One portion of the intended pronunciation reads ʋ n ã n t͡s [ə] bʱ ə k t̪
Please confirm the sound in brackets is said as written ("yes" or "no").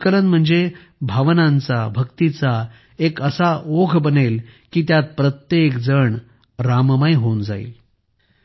no